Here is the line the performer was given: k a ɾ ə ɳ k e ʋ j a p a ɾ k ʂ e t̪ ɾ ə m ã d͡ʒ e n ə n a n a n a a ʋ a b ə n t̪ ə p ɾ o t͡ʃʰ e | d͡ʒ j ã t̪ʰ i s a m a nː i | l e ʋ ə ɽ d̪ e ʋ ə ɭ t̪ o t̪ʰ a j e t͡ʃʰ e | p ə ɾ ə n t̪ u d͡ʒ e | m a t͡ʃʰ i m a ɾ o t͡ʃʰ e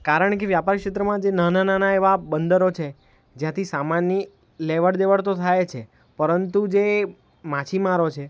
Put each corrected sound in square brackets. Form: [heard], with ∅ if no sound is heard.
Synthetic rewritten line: k a ɾ ə ɳ k e ʋ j a p a ɾ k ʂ e t̪ ɾ ə m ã d͡ʒ e n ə n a n a n a [e] ʋ a b ə n [d̪] ə [∅] ɾ o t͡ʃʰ e | d͡ʒ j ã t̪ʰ i s a m a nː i | l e ʋ ə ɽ d̪ e ʋ ə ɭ t̪ o t̪ʰ a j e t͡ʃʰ e | p ə ɾ ə n t̪ u d͡ʒ e | m a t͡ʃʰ i m a ɾ o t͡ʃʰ e